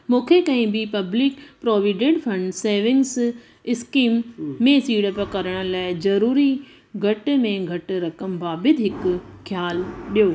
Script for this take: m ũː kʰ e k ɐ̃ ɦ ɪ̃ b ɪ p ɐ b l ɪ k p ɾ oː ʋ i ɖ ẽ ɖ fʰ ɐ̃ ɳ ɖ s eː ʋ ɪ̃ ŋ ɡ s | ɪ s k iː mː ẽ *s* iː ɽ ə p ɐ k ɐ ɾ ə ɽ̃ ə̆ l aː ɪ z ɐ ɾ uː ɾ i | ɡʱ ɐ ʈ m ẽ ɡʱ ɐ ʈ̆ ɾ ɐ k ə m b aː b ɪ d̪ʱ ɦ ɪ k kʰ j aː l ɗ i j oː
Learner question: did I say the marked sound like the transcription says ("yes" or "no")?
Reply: yes